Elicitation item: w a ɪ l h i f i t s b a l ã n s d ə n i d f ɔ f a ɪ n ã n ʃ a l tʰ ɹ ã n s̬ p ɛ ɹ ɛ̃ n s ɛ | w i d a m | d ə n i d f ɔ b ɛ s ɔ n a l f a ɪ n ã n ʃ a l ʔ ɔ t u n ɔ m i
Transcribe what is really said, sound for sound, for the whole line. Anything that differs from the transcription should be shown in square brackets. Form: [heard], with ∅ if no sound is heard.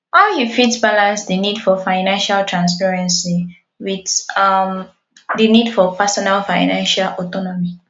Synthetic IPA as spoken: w a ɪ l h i f i t s b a l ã n s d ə n i d f ɔ f a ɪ n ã n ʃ a l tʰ ɹ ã n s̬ p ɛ ɹ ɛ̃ n s [i] | w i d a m | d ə n i d f ɔ [p] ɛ s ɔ n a l f a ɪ n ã n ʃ a l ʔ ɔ t [ɔ] n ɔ m i

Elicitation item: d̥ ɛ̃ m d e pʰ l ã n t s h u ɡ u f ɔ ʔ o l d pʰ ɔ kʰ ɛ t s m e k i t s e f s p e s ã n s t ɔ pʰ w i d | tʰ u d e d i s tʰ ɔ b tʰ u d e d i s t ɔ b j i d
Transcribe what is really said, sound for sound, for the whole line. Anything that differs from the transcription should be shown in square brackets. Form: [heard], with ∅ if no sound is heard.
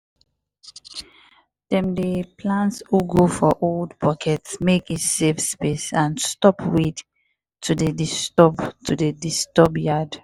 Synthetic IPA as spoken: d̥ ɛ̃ m d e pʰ l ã n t s h u ɡ [o] f ɔ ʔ o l d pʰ ɔ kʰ ɛ t s m e k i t s e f s p e s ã n s t ɔ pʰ w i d | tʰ u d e d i s [t] ɔ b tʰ u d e d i s t ɔ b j [a] d

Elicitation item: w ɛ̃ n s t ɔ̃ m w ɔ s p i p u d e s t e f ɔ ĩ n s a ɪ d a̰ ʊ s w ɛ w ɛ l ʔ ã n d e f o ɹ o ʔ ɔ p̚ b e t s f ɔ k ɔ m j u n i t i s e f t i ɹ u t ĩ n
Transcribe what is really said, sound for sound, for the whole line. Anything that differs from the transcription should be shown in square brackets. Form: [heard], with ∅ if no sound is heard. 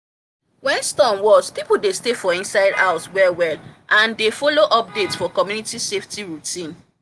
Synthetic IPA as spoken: w ɛ̃ n s t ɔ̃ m w ɔ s p i p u d e s t e f ɔ ĩ n s a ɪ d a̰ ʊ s w ɛ w ɛ l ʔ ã n d e f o [l] o ʔ ɔ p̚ [d] e t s f ɔ k ɔ m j u n i t i s e f t i ɹ u t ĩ n

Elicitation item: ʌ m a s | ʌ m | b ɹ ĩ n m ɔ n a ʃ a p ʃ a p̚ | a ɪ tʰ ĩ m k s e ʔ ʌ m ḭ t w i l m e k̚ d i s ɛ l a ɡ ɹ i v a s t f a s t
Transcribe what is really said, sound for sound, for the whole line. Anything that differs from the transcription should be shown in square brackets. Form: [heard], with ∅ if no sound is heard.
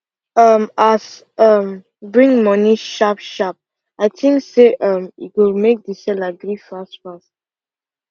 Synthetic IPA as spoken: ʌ m a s | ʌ m | b ɹ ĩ [ŋ] m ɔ n [i] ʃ a p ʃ a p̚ | a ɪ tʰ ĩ [ŋ] k s e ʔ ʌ m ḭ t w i l m e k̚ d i s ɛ l a ɡ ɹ i [f] a s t f a s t

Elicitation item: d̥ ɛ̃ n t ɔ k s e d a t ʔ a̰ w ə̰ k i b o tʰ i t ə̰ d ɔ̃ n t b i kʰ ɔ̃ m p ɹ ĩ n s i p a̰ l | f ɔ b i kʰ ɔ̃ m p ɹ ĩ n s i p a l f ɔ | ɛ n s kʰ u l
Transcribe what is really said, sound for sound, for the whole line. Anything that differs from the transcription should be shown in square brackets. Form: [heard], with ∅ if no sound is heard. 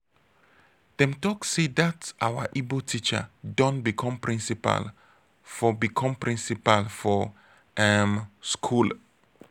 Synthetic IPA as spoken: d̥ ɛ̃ [m] t ɔ k s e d a t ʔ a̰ w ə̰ [ʔ] i b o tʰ i [t͡ʃ] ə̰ d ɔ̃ n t b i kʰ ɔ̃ m p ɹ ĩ n s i p a̰ l | f ɔ b i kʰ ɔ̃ m p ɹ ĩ n s i p a l f ɔ | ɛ [m] s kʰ u l

